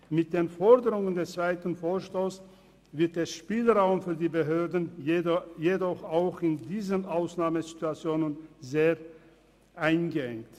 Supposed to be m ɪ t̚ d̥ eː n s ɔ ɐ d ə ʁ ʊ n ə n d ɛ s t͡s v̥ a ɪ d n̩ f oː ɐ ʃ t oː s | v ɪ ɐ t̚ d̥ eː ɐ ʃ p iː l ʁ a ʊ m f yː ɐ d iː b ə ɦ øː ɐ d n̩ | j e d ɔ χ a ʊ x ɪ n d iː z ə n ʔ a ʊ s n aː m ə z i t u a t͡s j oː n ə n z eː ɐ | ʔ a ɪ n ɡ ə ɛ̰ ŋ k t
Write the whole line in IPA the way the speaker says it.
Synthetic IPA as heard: m ɪ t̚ d̥ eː n f ɔ ɐ d ə ʁ ʊ ŋ ə n d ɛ s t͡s v̥ a ɪ t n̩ f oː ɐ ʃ t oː s | v ɪ ɐ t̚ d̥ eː ɐ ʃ p iː l ʁ a ʊ m f yː ɐ d iː b ə ɦ øː ɐ d n̩ | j e d ɔ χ a ʊ x ɪ n d iː z ə n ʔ a ʊ s n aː m ə z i t u a t͡s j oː n ə n z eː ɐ | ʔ a ɪ n ɡ ə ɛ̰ ŋ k t